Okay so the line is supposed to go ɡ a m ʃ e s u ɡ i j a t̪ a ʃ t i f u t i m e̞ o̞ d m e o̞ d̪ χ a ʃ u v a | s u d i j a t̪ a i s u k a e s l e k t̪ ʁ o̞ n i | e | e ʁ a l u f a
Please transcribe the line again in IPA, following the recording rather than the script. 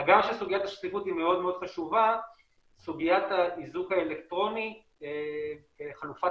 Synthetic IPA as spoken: ɡ a m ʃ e s u ɡ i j a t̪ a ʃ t i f u t i m e̞ o̞ d m e o̞ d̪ χ a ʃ u v a | s u ɡ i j a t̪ a i z u k a e l e k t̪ ʁ o̞ n i | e | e χ a l u f a